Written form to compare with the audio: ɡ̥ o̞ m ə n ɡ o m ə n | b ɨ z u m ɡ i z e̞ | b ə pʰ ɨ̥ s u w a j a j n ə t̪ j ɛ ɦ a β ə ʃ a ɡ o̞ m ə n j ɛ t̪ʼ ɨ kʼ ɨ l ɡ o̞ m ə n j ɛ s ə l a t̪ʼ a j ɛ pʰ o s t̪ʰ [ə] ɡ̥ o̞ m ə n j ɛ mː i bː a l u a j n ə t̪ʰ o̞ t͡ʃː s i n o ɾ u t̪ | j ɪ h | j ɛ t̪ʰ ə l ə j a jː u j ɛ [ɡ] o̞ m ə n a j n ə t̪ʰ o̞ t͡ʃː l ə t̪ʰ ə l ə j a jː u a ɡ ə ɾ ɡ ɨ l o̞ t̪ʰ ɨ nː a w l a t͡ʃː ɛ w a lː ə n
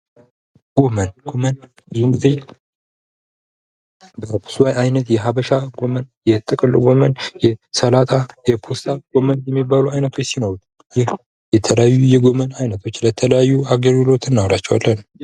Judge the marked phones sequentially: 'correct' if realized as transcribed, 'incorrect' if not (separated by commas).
incorrect, correct